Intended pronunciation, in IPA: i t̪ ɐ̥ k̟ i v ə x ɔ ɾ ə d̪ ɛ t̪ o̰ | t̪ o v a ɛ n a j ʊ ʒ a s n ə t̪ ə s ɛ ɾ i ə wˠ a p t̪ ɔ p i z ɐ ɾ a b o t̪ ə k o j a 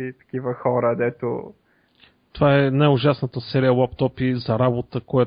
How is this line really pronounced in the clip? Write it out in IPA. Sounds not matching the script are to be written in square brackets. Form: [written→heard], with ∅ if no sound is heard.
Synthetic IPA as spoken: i t̪ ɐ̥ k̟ i v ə x ɔ ɾ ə d̪ ɛ t̪ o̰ | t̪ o v a ɛ n a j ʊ ʒ a s n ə t̪ ə s ɛ ɾ i ə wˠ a p t̪ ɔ p i z ɐ ɾ a b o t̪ ə k o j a